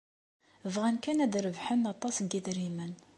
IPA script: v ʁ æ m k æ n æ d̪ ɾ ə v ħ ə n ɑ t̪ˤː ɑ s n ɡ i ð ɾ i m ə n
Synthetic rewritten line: v ʁ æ n k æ n æ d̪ ɾ ə v ħ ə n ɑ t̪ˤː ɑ s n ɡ i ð ɾ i m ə n